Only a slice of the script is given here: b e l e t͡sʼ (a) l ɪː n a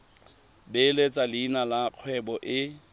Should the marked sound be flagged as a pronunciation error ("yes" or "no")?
no